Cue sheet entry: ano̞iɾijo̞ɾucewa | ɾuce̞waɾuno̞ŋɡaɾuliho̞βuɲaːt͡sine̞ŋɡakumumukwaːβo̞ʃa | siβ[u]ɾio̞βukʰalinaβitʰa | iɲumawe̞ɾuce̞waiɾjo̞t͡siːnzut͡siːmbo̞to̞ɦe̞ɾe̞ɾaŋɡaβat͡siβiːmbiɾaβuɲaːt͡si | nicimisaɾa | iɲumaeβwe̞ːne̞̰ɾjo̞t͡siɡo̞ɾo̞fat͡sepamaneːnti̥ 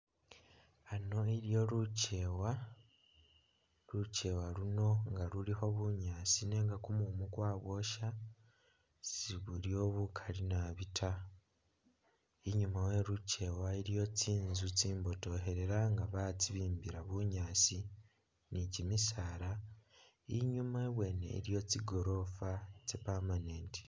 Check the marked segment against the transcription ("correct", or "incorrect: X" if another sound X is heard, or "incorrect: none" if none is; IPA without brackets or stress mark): correct